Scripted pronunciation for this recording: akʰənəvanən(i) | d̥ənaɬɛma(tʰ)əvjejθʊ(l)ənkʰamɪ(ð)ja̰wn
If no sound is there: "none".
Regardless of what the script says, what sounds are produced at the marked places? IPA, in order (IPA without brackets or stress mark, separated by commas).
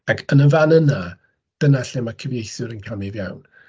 a, kʰ, ɾ, v